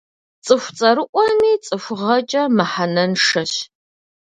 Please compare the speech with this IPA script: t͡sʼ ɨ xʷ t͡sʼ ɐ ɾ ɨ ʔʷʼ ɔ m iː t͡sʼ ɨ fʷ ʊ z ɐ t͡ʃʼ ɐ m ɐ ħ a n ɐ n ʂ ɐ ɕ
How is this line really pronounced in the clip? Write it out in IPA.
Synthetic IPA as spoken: t͡sʼ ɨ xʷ t͡sʼ ɐ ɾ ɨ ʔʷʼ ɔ m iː t͡sʼ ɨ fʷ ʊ ʁ ɐ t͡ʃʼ ɐ m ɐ ħ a n ɐ n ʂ ɐ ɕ